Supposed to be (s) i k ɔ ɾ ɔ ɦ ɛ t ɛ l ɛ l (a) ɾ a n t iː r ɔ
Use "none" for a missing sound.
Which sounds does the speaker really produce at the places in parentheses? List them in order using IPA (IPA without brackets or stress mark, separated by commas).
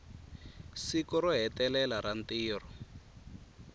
s, a